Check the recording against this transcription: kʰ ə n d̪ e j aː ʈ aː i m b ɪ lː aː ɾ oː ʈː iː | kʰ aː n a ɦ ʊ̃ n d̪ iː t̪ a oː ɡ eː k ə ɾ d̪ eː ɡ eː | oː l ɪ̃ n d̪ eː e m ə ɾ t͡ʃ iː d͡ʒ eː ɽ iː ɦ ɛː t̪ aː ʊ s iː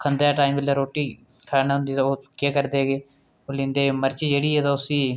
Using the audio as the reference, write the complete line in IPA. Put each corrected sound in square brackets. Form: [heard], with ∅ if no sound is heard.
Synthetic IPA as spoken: kʰ ə n d̪ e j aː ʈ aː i m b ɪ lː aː ɾ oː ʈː iː | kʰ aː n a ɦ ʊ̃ n d̪ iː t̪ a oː [k] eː k ə ɾ d̪ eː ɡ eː | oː l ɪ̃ n d̪ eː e m ə ɾ t͡ʃ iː d͡ʒ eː ɽ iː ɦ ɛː t̪ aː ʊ s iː